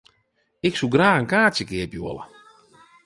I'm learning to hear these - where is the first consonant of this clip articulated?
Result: velum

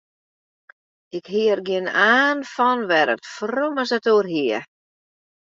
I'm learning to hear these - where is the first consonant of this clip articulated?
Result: velum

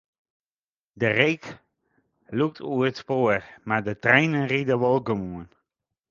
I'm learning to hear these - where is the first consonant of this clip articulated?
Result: tongue tip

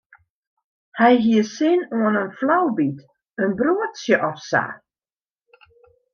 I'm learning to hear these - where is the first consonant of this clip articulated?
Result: throat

